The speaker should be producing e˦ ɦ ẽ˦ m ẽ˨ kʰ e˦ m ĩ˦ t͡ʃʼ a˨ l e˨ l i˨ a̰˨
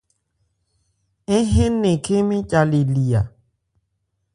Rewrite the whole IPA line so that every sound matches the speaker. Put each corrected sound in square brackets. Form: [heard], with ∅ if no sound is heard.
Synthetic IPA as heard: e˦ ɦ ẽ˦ [n] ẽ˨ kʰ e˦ m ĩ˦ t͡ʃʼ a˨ l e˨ l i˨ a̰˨